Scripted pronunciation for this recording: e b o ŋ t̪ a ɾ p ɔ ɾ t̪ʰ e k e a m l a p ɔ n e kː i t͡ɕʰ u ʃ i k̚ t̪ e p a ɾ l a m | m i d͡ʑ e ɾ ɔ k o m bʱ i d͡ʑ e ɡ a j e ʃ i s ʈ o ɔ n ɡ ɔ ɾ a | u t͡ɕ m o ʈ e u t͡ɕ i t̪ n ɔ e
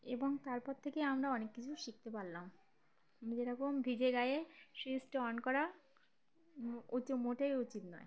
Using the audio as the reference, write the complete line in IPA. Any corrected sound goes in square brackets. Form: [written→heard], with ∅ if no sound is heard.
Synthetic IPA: e b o ŋ t̪ a ɾ p ɔ ɾ t̪ʰ e k e a m [l→ɾ] a [p→∅] ɔ n e kː i t͡ɕʰ u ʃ i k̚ t̪ e p a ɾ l a m | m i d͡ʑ e ɾ ɔ k o m bʱ i d͡ʑ e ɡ a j e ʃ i s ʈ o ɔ n [ɡ→k] ɔ ɾ a | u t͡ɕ m o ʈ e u t͡ɕ i t̪ n ɔ e